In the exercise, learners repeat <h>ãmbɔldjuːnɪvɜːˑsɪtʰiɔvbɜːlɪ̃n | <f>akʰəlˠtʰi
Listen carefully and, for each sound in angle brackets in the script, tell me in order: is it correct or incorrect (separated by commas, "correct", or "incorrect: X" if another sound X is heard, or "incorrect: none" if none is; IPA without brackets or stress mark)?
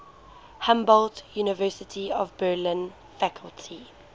correct, correct